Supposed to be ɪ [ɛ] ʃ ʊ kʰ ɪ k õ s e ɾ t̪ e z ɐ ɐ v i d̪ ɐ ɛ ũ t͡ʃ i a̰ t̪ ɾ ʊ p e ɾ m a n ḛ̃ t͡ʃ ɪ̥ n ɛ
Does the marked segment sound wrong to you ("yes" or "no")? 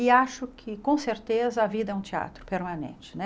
yes